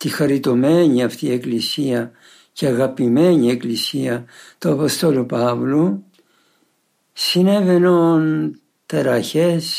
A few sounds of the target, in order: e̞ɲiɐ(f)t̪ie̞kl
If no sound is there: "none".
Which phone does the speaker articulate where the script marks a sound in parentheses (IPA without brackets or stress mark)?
f